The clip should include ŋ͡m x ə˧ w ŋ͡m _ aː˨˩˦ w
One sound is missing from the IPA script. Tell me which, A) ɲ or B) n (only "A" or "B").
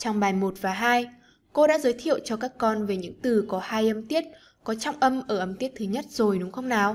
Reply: B